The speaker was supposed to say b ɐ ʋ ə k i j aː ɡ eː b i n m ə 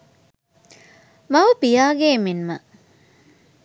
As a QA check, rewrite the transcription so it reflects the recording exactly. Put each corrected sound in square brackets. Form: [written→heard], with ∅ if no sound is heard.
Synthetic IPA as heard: [b→m] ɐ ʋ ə [k→p] i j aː ɡ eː [b→m] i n m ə